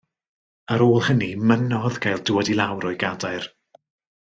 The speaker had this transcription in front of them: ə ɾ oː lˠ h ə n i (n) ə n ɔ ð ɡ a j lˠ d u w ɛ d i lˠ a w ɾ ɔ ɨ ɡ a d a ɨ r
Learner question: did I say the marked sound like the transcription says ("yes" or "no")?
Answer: no